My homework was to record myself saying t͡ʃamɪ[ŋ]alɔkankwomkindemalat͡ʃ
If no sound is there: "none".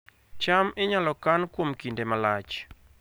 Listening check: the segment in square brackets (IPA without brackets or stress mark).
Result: ɲ